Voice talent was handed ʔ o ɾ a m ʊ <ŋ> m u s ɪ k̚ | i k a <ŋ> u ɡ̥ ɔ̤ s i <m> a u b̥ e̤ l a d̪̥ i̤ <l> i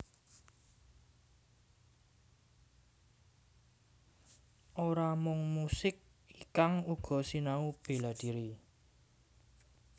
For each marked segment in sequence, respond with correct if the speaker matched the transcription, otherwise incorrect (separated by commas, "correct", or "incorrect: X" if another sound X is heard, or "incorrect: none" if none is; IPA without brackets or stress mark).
correct, correct, incorrect: n, incorrect: ɾ